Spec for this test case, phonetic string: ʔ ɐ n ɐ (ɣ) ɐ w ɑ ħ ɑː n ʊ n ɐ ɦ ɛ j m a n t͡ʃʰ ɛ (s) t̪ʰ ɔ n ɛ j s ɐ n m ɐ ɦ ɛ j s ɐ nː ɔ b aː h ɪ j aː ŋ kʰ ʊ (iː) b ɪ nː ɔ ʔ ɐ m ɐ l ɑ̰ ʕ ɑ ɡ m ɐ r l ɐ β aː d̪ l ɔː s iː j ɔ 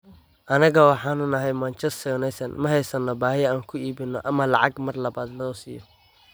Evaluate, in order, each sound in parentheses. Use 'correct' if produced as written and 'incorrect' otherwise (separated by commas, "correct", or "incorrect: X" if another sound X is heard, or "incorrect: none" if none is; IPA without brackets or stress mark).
correct, correct, correct